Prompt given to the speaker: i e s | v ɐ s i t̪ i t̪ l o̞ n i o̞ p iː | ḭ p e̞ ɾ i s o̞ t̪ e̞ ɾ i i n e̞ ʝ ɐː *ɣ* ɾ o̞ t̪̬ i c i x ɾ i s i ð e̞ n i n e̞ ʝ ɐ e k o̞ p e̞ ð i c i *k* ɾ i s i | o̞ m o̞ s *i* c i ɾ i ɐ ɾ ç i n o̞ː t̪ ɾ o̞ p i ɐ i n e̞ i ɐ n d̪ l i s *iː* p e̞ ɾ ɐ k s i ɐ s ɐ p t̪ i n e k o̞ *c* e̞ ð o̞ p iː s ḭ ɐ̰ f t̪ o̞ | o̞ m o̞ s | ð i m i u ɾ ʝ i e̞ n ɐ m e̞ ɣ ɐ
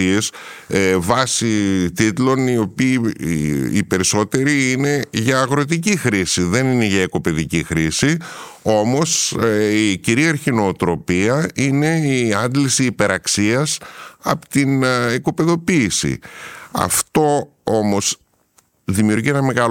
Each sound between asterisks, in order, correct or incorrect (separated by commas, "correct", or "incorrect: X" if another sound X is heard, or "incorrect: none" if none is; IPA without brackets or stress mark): correct, incorrect: x, correct, correct, incorrect: p